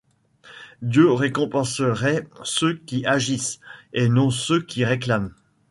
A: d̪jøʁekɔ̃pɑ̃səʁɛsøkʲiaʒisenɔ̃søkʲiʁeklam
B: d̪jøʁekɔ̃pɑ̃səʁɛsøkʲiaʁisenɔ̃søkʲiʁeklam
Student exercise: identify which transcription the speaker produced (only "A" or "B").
A